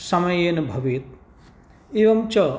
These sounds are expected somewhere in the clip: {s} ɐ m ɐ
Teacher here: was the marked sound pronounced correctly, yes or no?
yes